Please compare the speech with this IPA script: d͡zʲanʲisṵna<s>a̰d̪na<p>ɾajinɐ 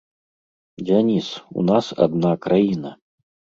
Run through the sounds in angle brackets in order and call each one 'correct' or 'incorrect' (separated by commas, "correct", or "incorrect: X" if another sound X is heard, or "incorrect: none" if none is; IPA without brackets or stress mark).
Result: correct, incorrect: k